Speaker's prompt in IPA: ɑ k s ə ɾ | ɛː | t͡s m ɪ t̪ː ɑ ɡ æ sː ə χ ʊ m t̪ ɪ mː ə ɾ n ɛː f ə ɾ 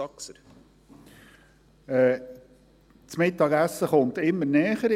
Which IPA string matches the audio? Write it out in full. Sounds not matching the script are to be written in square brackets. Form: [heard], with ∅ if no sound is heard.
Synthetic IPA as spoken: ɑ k s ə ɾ | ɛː | t͡s m ɪ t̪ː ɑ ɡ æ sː ə χ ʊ [n] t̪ ɪ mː ə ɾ n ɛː [χ] ə ɾ